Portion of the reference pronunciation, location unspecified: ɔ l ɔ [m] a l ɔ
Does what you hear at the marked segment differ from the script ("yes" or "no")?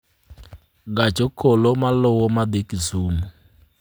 no